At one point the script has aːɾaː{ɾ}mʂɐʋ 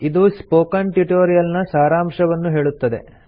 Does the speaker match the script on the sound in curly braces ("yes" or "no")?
no